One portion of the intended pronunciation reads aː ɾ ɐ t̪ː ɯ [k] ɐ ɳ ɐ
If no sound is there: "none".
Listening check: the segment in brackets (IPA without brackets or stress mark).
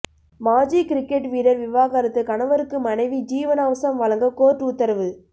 k